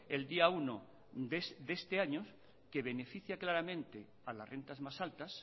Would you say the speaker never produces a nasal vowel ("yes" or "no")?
no